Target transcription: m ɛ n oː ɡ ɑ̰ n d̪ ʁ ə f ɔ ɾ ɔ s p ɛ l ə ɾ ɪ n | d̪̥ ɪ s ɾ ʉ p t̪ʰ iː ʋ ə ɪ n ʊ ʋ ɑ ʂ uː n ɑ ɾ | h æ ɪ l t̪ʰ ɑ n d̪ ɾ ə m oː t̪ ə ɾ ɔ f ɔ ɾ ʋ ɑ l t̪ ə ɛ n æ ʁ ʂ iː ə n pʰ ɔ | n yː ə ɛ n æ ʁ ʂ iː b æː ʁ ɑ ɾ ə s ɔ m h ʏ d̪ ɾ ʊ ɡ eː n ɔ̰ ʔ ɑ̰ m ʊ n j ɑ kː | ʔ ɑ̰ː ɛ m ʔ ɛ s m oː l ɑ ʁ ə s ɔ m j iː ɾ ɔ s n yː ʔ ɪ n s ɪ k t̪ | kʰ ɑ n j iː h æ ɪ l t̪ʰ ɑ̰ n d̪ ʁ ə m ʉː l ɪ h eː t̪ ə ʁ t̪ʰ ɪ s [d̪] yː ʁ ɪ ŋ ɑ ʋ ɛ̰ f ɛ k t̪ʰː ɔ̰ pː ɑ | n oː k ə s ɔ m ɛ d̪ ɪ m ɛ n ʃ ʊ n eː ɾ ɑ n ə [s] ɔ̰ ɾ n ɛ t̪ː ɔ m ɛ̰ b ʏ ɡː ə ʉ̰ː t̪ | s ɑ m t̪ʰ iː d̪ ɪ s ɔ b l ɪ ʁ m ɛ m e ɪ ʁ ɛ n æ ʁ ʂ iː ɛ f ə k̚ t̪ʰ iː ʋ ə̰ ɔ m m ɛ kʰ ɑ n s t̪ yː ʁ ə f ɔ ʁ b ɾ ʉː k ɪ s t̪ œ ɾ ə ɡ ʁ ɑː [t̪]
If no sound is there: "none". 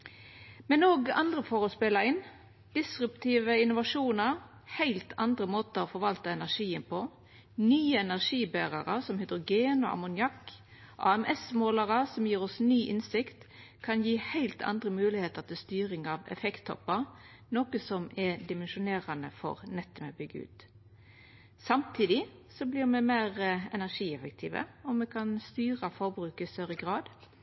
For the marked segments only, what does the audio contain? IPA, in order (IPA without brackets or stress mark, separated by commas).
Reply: t̪, f, d̪